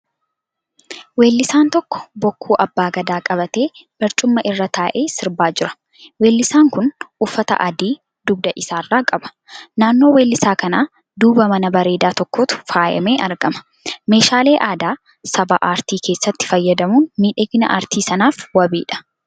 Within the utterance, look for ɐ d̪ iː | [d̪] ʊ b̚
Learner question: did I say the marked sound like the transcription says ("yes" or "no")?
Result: yes